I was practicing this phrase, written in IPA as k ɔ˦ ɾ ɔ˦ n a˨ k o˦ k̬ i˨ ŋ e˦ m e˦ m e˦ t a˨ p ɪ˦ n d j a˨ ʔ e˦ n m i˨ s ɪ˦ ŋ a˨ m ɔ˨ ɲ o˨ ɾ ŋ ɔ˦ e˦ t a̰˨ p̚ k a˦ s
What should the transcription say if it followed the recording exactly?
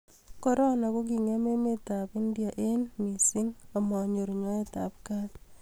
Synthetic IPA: k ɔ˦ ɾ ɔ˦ n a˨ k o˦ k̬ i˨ ŋ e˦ m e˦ m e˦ t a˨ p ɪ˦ n d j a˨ ʔ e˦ n m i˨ s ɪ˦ ŋ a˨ m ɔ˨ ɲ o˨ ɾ ɲ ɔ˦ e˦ t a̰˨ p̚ k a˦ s